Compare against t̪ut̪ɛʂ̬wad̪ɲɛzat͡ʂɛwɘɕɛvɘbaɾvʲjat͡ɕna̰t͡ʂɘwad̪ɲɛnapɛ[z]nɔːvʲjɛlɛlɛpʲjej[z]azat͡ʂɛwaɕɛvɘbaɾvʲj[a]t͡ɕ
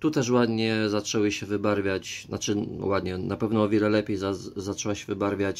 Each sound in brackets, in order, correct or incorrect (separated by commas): incorrect, correct, correct